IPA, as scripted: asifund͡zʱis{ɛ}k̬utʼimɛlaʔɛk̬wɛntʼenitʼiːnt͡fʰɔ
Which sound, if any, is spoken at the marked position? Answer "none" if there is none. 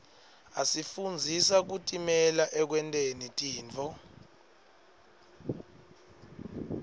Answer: a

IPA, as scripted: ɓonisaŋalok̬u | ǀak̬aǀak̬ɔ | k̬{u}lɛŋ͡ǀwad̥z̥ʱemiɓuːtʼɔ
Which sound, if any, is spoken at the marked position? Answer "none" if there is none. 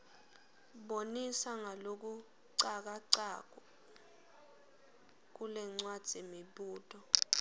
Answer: u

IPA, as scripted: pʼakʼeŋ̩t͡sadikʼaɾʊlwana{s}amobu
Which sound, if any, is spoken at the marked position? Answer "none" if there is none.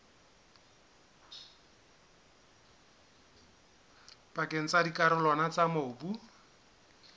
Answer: t͡s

